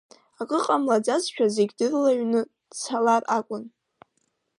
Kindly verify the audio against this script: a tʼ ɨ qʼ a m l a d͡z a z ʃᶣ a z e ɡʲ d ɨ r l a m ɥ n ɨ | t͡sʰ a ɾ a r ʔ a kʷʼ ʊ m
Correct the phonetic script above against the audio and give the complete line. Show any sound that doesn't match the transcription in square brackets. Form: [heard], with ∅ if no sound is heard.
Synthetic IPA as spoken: a [kʼ] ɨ qʼ a m l a d͡z a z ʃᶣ a z e ɡʲ d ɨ r l a [∅] ɥ n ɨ | t͡sʰ a [l] a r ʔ a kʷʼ ʊ [n]